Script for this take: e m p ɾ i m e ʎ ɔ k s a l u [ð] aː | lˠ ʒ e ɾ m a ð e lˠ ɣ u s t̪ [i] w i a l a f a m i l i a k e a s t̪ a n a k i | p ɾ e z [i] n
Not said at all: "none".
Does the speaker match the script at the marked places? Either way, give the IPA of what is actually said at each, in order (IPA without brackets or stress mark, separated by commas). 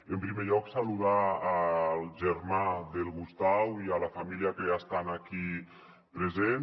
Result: ð, a, e